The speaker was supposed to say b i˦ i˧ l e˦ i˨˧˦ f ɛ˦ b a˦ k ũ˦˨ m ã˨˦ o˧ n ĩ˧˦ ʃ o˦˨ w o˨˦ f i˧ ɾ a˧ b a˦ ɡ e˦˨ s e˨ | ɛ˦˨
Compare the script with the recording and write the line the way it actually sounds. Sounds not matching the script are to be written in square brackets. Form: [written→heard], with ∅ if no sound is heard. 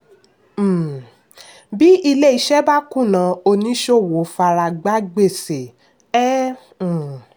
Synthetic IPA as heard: b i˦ i˧ l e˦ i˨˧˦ [f→ʃ] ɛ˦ b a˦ k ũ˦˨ [m→n] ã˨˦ o˧ n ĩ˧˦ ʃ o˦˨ w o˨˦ f [i˧→a˧] ɾ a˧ [b→ɡ͡b] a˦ [ɡ→ɡ͡b] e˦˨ s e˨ | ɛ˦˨